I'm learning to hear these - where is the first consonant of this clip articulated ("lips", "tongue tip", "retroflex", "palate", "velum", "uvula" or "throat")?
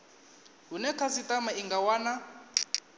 throat